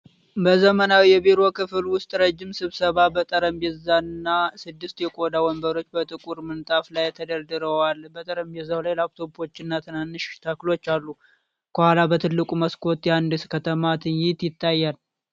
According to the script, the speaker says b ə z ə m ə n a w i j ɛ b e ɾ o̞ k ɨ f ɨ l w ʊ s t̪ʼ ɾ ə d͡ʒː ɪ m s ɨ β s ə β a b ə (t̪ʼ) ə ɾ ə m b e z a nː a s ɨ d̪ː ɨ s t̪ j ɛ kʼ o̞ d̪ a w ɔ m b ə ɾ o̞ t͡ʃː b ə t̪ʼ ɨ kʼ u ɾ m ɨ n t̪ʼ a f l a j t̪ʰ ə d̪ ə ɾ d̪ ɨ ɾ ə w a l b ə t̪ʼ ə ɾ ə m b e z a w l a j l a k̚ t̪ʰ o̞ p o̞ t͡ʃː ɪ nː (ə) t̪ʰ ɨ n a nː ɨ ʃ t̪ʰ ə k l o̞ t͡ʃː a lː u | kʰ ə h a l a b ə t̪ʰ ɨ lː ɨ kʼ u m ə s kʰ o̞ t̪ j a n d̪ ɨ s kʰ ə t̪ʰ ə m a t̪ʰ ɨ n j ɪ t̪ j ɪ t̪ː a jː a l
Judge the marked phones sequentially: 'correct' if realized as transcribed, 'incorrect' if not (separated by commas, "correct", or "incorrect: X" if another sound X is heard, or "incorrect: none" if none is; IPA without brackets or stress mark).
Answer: correct, incorrect: a